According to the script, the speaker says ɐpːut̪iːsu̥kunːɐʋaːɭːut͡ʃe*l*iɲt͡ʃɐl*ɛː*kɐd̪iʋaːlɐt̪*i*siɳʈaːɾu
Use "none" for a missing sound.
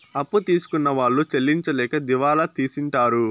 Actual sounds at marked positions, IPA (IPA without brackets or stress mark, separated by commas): lː, ɛː, iː